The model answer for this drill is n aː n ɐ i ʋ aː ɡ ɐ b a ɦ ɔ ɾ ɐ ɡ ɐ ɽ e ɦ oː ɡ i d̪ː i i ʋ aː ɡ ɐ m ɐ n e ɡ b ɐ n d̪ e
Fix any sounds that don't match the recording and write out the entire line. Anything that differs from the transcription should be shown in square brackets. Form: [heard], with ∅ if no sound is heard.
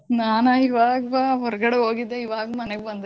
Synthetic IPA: n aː n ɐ i ʋ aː ɡ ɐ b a ɦ ɔ ɾ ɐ ɡ ɐ ɽ e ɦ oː ɡ i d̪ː [e] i ʋ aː ɡ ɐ m ɐ n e ɡ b ɐ n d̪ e